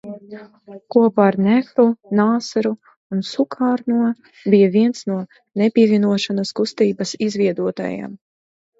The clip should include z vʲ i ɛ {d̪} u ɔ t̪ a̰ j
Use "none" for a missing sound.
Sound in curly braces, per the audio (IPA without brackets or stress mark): d̪